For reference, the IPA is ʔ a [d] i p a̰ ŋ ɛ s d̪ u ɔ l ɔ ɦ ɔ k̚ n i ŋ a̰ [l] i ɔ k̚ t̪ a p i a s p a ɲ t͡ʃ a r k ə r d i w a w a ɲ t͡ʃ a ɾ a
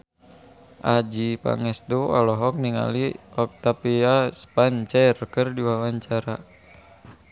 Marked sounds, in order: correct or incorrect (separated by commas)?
incorrect, correct